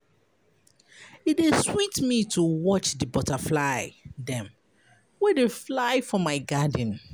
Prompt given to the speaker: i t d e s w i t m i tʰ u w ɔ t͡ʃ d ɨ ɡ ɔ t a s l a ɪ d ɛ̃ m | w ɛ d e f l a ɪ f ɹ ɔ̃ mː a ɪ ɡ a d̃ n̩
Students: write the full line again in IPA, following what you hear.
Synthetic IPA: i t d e s w i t m i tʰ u w ɔ t͡ʃ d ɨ b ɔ t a f l a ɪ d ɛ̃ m | w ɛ d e f l a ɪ f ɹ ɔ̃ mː a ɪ ɡ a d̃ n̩